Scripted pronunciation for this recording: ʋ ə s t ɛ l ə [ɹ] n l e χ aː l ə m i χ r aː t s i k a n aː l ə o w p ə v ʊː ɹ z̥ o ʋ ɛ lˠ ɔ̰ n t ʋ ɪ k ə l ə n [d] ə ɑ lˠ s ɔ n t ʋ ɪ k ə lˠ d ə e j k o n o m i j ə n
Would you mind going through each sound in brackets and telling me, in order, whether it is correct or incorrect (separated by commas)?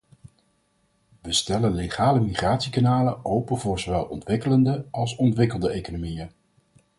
incorrect, correct